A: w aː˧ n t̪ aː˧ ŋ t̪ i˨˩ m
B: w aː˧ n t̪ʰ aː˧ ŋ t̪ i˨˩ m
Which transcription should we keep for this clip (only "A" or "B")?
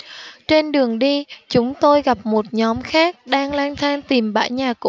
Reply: B